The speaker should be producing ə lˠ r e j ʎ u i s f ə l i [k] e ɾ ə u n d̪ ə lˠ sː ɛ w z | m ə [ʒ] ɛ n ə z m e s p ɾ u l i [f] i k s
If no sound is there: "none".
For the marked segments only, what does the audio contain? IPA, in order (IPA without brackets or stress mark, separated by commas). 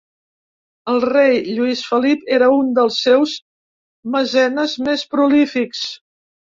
p, z, f